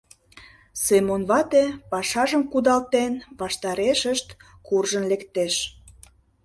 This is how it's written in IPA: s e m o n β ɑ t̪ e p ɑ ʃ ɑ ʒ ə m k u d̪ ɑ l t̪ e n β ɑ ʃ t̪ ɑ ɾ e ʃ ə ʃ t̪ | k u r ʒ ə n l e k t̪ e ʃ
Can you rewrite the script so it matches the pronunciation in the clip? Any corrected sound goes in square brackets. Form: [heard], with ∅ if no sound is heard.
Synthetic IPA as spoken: s e m o n β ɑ t̪ e p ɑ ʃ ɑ ʒ ə m k u d̪ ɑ l t̪ e n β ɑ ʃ t̪ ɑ ɾ e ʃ ə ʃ t̪ | k u r ʒ ə n l e k t̪ e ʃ